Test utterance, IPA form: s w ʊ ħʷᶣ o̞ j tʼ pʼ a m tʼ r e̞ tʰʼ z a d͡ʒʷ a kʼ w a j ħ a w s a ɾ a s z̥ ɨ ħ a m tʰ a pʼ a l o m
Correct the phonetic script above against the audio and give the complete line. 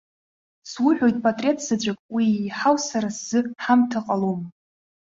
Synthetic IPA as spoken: s w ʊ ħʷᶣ o̞ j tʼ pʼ a tʼ r e̞ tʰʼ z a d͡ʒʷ a kʼ w i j ħ a w s a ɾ a s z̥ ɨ ħ a m tʰ a qʼ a l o m